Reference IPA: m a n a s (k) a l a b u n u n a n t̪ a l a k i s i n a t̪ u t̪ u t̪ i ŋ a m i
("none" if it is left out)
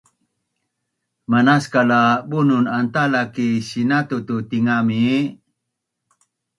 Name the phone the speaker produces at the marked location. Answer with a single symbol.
k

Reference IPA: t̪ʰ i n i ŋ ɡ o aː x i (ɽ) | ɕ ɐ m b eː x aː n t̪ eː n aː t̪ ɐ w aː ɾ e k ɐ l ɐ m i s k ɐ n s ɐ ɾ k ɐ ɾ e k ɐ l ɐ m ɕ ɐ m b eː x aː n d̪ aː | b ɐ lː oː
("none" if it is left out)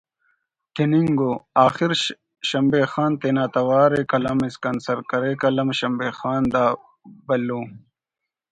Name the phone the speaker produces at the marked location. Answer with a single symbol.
ɾ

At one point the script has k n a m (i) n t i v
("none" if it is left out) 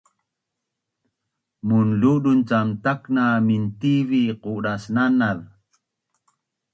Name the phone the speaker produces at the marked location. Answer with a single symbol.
i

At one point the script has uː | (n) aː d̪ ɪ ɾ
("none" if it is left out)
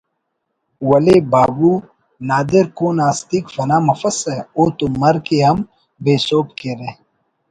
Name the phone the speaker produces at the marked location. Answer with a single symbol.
n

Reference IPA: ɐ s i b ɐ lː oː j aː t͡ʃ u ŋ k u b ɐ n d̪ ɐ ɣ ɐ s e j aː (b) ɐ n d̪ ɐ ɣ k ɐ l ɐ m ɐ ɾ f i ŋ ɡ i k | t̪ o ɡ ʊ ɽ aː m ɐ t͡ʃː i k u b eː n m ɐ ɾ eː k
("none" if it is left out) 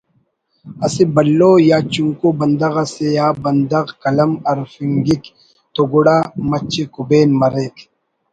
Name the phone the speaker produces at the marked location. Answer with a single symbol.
b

